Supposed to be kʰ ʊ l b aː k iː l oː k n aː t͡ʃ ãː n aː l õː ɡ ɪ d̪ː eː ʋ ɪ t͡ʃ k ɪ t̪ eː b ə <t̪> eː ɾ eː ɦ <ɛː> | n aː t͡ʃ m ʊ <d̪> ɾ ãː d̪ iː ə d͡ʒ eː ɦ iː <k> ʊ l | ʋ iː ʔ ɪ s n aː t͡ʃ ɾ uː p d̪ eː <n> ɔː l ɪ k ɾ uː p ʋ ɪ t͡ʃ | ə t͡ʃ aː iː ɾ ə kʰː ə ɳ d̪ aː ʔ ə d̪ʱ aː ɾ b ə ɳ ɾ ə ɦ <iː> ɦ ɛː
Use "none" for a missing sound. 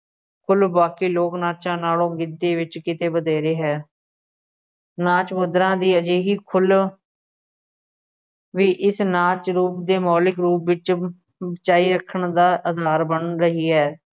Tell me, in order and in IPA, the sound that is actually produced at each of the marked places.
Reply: d̪, ɛː, d̪, kʰ, m, iː

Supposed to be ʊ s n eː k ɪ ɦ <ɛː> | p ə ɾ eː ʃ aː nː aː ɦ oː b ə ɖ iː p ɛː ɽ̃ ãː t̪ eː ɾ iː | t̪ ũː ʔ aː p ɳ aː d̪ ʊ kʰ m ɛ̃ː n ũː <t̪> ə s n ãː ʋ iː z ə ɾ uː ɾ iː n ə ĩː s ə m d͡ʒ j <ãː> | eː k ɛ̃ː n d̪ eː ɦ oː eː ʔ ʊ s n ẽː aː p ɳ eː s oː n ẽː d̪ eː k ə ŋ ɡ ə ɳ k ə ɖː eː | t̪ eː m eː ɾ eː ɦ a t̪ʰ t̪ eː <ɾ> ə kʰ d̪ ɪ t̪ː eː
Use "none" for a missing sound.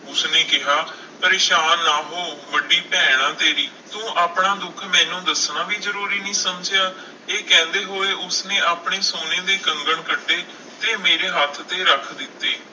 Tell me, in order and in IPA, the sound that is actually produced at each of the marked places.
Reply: aː, d̪, aː, ɾ

